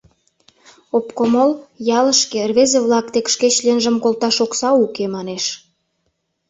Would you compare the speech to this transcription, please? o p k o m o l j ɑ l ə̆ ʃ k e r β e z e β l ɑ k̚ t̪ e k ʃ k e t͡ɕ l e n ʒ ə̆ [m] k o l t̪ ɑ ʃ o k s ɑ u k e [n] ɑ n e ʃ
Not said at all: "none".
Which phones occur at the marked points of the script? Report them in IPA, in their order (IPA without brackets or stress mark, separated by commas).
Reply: m, m